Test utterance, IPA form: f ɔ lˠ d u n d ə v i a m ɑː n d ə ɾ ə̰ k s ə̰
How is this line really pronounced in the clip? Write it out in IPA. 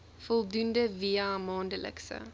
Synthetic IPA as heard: f ɔ lˠ d u n d ə v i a m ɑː n d ə l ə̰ k s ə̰